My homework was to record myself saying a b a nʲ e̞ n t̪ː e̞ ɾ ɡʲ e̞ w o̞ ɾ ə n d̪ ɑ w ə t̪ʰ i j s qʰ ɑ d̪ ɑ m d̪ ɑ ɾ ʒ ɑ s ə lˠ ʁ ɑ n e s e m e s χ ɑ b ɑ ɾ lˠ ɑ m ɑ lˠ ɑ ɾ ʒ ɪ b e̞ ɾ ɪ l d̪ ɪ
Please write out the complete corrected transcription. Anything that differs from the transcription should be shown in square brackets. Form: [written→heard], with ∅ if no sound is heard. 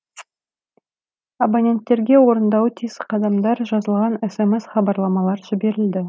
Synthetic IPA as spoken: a b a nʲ e̞ n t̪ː e̞ ɾ ɡʲ e̞ w o̞ ɾ ə n d̪ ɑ w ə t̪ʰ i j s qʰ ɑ d̪ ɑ m d̪ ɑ ɾ ʒ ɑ [s→z] ə lˠ ʁ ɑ n e s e m e s χ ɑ b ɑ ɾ lˠ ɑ m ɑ lˠ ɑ ɾ ʒ ɪ b e̞ ɾ ɪ l d̪ ɪ